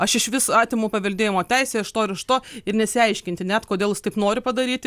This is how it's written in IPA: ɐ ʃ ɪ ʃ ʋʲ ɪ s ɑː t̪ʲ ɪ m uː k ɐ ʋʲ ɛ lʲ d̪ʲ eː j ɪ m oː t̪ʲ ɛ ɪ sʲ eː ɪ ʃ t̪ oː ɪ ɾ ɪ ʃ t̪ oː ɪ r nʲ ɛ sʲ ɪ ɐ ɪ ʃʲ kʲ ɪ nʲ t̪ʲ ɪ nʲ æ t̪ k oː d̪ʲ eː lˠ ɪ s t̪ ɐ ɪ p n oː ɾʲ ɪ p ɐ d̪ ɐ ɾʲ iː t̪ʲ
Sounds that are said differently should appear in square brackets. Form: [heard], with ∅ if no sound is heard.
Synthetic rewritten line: ɐ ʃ ɪ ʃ ʋʲ ɪ s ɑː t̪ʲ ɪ m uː [p] ɐ ʋʲ ɛ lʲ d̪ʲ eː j ɪ m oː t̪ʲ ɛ ɪ sʲ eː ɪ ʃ t̪ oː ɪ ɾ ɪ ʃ t̪ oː ɪ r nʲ ɛ sʲ ɪ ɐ ɪ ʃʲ kʲ ɪ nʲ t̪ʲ ɪ nʲ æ t̪ k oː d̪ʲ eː lˠ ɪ s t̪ ɐ ɪ p n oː ɾʲ ɪ p ɐ d̪ ɐ ɾʲ iː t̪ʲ